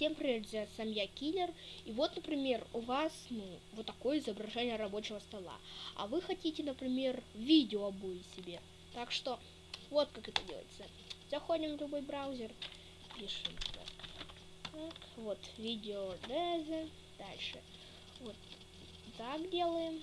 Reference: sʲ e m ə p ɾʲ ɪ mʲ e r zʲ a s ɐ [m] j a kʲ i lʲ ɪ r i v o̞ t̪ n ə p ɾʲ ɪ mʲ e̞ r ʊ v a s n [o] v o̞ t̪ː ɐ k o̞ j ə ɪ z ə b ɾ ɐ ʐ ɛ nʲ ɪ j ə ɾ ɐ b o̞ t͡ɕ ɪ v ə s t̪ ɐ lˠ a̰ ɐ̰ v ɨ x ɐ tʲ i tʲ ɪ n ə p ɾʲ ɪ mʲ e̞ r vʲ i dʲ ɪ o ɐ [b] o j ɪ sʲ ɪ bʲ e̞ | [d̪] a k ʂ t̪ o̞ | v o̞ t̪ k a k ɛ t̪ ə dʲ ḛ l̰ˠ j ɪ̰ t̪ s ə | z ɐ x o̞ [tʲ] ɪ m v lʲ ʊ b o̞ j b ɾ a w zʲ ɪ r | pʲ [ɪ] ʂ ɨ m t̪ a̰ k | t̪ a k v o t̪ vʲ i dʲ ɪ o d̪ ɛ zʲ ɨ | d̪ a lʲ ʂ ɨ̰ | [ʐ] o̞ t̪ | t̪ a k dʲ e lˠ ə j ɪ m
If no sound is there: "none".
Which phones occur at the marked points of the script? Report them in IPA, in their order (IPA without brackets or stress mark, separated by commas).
m, u, b, t̪, dʲ, i, v